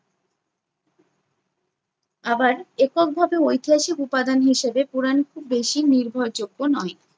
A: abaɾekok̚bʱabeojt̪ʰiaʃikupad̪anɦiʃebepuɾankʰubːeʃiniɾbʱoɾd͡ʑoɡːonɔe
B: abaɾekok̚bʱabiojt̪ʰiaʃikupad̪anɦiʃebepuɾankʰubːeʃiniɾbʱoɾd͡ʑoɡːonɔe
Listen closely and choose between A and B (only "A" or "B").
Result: A